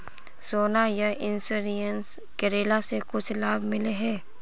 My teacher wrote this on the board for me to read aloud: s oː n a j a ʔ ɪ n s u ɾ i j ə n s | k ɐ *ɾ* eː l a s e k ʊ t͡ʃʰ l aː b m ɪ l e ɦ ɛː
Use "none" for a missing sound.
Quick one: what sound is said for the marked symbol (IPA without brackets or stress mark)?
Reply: ɾ